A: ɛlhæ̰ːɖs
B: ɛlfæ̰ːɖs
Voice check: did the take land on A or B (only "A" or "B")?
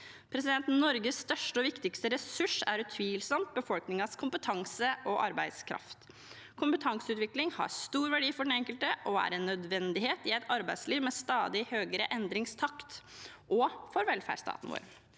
B